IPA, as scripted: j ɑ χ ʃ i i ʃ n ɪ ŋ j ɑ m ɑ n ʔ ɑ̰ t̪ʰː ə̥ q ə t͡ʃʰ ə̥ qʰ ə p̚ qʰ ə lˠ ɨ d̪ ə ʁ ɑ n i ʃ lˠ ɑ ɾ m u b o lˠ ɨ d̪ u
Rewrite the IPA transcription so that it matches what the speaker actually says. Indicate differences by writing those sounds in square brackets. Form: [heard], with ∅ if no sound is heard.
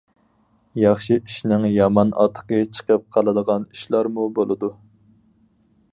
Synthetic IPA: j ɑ χ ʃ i i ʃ n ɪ ŋ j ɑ m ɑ n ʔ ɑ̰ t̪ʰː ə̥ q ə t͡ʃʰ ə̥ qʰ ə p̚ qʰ [ɑ] lˠ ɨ d̪ ə ʁ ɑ n i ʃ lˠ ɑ ɾ m u b o lˠ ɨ d̪ u